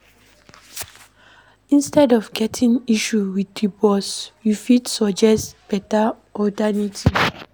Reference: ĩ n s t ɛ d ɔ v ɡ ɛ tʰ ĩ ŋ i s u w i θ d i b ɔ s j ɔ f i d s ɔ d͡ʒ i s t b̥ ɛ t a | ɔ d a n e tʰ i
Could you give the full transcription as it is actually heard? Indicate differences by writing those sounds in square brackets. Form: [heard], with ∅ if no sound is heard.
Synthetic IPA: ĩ n s t ɛ d ɔ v ɡ ɛ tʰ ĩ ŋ i [ʃ] u w i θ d i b ɔ s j [u] f i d s ɔ d͡ʒ [ɛ] s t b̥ ɛ t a | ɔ d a n [i] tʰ i